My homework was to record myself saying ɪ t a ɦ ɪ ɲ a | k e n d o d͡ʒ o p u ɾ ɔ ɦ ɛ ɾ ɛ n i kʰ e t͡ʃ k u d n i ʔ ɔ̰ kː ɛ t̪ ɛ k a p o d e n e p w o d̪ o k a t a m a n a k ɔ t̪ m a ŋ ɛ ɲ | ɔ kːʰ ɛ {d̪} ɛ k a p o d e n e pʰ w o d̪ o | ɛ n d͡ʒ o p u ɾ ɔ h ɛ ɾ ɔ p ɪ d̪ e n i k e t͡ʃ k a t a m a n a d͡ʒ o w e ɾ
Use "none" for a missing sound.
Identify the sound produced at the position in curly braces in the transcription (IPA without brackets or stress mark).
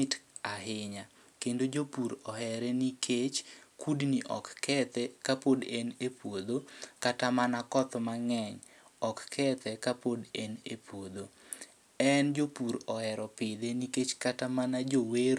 t̪